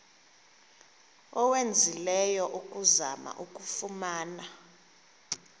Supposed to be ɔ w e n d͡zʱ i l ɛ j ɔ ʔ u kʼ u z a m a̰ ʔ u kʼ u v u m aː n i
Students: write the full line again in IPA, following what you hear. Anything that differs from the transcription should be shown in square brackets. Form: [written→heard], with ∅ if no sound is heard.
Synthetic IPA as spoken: ɔ w e n d͡zʱ i l ɛ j ɔ ʔ u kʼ u z a m a̰ ʔ u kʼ u [v→f] u m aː n [i→a]